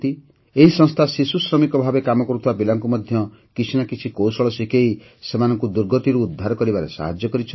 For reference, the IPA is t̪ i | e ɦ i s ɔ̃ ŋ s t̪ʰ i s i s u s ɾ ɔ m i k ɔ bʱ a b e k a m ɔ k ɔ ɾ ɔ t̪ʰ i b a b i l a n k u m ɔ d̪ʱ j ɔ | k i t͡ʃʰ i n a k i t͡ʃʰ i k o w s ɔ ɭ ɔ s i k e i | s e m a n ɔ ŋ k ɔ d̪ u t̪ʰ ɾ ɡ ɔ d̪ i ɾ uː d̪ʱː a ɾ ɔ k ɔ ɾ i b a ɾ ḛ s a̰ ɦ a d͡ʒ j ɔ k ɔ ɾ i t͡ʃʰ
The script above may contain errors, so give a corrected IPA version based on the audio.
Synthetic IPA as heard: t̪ i | e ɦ i s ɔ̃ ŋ s t̪ʰ a s i s u s ɾ ɔ m i k ɔ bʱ a b e k a m ɔ k ɔ ɾ u t̪ʰ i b a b i l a ŋ k u m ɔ d̪ʱ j ɔ | k i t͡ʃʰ i n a k i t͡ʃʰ i k o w s ɔ ɭ ɔ s i k e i | s e m a n ɔ ŋ k u d̪ u ɾ ɡ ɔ t̪ i ɾ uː d̪ʱː a ɾ ɔ k ɔ ɾ i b a ɾ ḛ s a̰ ɦ a d͡ʒ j ɔ k ɔ ɾ i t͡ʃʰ